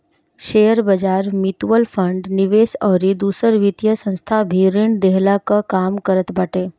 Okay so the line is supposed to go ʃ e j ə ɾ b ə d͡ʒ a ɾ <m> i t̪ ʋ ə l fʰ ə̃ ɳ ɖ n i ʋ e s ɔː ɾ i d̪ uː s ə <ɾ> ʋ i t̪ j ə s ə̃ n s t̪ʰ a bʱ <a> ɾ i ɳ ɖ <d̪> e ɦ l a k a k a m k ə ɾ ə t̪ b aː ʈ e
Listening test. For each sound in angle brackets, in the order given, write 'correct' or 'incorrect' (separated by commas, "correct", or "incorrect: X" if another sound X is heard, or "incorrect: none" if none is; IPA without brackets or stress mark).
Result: correct, correct, incorrect: i, correct